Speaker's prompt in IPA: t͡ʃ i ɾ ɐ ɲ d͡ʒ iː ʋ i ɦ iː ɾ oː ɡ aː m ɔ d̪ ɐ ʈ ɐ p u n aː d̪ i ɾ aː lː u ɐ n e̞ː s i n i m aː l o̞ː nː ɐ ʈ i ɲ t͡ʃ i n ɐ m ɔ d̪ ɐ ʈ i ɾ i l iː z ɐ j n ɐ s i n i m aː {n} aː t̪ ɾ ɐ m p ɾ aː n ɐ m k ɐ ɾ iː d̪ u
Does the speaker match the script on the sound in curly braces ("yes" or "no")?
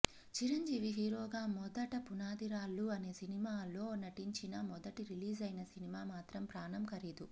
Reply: no